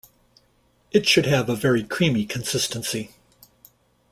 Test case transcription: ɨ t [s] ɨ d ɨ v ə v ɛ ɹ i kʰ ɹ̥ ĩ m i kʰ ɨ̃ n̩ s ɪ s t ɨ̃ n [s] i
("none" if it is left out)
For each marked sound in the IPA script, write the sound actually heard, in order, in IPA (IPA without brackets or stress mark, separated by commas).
ʃ, s